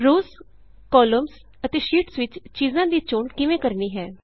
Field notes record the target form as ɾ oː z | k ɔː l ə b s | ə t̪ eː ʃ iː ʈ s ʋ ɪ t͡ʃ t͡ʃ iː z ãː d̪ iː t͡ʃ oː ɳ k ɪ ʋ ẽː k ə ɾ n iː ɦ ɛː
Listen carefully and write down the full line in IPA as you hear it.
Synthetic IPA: ɾ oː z | k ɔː l ə m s | ə t̪ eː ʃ iː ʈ s ʋ ɪ t͡ʃ t͡ʃ iː z ãː d̪ iː t͡ʃ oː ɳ k ɪ ʋ ẽː k ə ɾ n iː ɦ ɛː